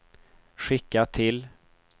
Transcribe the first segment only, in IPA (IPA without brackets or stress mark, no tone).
ɧ